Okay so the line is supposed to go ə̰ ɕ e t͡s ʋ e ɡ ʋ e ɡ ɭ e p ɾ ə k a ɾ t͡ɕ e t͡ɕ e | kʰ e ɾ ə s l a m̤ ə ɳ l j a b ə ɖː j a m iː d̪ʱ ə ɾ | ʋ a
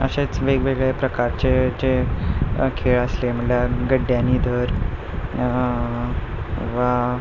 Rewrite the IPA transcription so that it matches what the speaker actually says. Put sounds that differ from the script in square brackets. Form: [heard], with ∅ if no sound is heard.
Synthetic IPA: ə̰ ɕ e t͡s ʋ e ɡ ʋ e ɡ ɭ e p ɾ ə k a ɾ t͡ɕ e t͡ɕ e | kʰ e [ɭ] ə s l [e] m̤ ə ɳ l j a [ɡ] ə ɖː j a [n] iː d̪ʱ ə ɾ | ʋ a